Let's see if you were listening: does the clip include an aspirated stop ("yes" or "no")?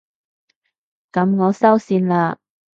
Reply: no